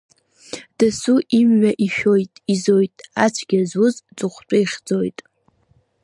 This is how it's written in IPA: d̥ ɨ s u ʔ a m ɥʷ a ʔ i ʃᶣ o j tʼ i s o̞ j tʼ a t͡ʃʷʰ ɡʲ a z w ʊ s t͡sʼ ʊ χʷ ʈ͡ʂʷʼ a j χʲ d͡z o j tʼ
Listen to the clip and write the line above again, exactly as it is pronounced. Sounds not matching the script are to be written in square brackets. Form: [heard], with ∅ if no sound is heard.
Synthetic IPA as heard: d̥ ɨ s u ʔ [i] m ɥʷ a ʔ i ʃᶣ o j tʼ i [z] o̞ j tʼ a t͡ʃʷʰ ɡʲ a z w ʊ [z] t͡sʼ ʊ χʷ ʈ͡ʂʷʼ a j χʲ d͡z o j tʼ